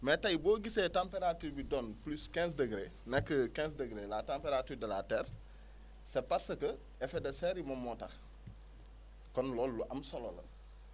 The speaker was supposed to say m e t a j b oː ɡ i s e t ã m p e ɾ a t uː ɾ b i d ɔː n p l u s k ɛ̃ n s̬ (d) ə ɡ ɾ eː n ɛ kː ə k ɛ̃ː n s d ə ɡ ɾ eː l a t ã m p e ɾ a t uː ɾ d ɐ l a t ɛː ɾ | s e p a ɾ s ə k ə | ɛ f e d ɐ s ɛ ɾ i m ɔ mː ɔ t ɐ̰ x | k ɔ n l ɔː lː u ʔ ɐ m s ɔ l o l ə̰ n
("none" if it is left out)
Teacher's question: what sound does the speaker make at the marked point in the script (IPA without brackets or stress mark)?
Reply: d